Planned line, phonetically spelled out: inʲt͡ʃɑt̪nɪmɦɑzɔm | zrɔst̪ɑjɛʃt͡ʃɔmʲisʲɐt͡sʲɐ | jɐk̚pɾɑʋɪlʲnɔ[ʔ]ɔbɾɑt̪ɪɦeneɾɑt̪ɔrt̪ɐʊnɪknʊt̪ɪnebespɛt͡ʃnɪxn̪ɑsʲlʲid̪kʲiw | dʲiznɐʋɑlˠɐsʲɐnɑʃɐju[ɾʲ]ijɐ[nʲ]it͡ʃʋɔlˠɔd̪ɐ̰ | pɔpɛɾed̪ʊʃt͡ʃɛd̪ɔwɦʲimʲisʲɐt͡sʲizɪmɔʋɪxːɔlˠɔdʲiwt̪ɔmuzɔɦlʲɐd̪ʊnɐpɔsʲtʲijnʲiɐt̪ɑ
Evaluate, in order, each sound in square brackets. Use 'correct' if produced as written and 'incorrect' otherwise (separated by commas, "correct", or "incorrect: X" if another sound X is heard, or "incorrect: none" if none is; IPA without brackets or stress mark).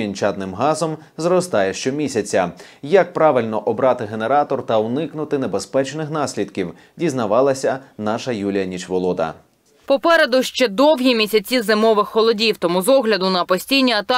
correct, incorrect: lʲ, correct